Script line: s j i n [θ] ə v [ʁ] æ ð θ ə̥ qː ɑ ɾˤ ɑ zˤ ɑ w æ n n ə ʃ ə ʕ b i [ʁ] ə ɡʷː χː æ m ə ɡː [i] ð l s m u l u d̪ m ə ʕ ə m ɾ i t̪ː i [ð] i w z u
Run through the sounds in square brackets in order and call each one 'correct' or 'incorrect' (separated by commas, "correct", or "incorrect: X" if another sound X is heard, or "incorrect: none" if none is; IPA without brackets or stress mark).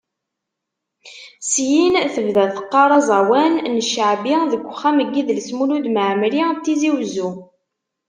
correct, incorrect: ð, incorrect: ð, correct, incorrect: z